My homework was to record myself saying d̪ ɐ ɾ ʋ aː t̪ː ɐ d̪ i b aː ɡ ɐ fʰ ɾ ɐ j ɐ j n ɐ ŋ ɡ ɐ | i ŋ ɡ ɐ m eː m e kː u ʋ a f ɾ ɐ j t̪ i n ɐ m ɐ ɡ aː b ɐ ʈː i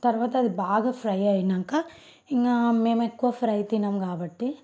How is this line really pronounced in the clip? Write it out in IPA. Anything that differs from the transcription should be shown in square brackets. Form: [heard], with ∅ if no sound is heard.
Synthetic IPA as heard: [t̪] ɐ ɾ ʋ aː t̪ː ɐ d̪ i b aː ɡ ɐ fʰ ɾ ɐ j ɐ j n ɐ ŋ [k] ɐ | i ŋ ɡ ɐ m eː m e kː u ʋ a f ɾ ɐ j t̪ i n ɐ m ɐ ɡ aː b ɐ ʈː i